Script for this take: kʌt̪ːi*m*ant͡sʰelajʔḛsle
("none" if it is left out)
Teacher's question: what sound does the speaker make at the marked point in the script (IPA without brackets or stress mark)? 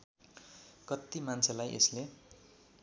m